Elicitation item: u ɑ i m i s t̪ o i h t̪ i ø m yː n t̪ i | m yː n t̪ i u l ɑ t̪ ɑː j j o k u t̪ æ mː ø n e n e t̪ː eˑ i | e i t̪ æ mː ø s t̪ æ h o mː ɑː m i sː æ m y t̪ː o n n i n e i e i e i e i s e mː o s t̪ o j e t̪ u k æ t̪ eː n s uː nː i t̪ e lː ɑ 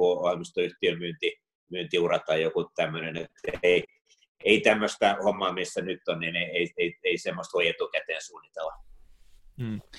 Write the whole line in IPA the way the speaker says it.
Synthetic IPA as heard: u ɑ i m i s t̪ o y h t̪ i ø m yː n t̪ i | m yː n t̪ i u r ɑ t̪ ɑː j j o k u t̪ æ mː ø n e n e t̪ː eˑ i | e i t̪ æ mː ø s t̪ æ h o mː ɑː m i sː æ n y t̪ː o n n i n e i e i e i e i s e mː o s t̪ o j e t̪ u k æ t̪ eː n s uː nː i t̪ e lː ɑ